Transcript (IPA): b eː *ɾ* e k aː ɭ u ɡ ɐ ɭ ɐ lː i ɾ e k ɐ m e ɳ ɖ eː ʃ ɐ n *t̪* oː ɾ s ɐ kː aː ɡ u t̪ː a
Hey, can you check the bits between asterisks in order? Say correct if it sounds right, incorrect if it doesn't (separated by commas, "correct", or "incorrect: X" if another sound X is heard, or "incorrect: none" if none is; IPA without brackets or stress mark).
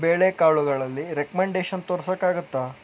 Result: incorrect: ɭ, correct